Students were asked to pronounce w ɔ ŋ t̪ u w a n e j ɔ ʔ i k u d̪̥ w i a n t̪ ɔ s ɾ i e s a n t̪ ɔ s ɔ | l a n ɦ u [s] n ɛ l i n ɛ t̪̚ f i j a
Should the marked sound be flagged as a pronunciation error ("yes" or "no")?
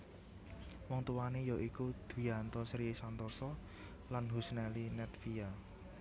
no